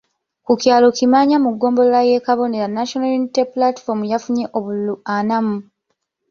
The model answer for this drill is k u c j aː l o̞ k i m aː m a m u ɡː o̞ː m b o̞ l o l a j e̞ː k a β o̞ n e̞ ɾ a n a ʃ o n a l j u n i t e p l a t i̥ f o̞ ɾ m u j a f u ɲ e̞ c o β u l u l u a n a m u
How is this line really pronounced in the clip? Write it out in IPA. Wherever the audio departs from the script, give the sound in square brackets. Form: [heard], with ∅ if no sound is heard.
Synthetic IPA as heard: k u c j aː l o̞ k i m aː [ɲ] a m u ɡː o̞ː m b o̞ l o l a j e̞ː k a β o̞ n e̞ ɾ a n a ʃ o n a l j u n i t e p l a t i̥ f o̞ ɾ m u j a f u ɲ e̞ [ʔ] o β u l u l u a n a m u